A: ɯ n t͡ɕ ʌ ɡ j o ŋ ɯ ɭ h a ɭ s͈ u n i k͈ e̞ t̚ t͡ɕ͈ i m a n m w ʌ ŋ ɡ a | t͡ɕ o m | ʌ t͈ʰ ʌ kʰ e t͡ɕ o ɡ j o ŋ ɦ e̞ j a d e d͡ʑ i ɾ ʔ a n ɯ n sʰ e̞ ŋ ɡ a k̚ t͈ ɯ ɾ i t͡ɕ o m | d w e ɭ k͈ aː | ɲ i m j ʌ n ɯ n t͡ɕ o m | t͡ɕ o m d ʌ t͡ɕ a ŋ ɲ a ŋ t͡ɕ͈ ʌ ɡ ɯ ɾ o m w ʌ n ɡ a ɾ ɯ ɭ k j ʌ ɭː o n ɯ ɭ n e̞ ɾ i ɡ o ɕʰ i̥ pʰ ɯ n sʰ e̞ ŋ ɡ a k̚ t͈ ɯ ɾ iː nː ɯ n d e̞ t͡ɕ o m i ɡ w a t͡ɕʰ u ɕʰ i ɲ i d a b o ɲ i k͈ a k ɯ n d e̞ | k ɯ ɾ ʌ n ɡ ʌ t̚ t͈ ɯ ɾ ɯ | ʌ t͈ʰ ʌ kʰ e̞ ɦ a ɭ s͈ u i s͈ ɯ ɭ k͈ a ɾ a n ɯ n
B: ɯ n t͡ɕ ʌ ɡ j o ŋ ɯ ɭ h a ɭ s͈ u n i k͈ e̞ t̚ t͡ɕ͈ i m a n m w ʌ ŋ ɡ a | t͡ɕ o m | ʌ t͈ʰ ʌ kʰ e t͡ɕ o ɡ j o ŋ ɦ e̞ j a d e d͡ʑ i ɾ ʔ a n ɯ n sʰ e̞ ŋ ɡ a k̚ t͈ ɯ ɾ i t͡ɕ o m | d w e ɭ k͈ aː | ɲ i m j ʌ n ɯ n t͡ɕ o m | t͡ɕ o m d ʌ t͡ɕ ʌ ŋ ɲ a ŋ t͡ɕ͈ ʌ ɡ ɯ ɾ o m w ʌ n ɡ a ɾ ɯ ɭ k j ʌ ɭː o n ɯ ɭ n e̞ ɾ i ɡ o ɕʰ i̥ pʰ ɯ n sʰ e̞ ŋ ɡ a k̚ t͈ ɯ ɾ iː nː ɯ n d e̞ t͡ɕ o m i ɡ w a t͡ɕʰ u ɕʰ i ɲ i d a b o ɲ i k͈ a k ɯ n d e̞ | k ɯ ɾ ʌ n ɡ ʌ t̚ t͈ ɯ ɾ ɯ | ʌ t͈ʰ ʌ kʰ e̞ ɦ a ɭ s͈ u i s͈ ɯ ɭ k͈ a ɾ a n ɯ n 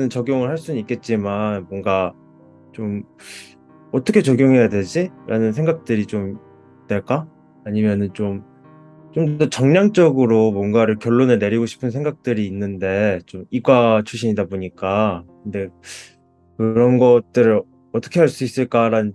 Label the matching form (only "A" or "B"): B